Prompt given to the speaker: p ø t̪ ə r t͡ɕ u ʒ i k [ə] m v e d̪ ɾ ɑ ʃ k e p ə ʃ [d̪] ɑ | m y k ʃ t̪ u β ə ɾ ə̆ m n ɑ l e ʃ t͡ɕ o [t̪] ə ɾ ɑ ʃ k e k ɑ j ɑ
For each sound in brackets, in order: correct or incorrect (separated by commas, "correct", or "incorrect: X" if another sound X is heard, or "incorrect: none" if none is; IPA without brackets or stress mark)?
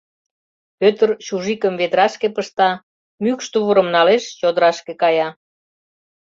correct, incorrect: t̪, incorrect: d̪